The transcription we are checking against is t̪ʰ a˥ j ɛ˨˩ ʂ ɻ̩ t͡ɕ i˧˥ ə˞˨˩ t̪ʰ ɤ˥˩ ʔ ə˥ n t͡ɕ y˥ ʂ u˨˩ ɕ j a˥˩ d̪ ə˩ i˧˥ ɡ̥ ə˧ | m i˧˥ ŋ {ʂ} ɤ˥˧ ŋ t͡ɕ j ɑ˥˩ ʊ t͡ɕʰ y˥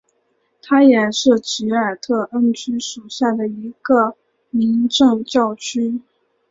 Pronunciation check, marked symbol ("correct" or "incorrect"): incorrect